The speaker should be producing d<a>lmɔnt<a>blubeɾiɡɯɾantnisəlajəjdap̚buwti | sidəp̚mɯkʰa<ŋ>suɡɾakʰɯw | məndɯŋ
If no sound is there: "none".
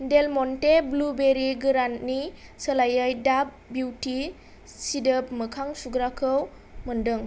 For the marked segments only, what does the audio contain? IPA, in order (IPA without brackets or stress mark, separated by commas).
e, e, ŋ